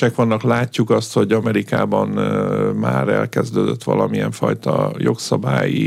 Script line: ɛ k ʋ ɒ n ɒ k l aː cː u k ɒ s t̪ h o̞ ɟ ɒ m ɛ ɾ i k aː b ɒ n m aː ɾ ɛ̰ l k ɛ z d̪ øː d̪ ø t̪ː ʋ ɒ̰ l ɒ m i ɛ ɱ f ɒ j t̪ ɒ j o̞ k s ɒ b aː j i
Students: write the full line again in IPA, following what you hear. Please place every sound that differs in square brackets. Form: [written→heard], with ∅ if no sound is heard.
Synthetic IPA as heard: ɛ k ʋ ɒ [n→nː] ɒ k l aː cː u k ɒ s t̪ h o̞ ɟ ɒ m ɛ ɾ i k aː b ɒ n m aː ɾ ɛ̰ l k ɛ z d̪ øː d̪ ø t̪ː ʋ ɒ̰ l ɒ m i ɛ ɱ f ɒ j t̪ ɒ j o̞ k s ɒ b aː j i